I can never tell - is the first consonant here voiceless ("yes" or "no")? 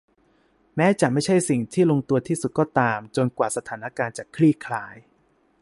no